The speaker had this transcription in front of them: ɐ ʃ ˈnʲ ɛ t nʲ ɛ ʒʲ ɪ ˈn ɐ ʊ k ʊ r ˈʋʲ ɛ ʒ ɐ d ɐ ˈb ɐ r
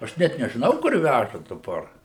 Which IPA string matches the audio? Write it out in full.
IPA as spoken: ɐ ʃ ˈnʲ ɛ t nʲ ɛ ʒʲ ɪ ˈn ɐ ʊ k ʊ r ˈʋʲ æ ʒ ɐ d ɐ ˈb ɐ r